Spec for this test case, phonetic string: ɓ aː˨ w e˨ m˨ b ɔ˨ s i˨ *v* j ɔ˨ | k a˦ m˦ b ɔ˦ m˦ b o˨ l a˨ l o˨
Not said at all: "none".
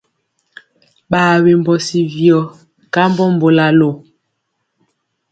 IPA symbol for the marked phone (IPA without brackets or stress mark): v